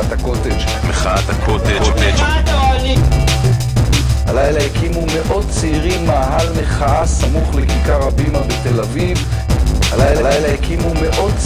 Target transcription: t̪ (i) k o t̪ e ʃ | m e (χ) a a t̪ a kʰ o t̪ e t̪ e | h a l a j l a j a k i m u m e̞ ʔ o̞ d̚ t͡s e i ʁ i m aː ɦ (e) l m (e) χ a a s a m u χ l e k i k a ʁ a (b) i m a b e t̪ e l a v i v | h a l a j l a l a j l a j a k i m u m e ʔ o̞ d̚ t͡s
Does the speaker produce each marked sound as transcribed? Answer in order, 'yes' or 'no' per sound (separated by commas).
no, yes, no, yes, yes